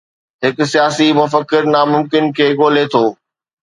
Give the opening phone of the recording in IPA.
ɦ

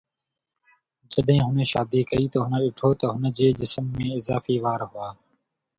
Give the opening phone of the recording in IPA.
d͡ʒ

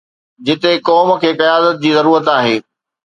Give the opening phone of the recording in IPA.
d͡ʑ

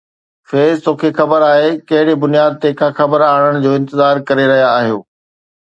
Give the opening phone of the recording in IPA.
f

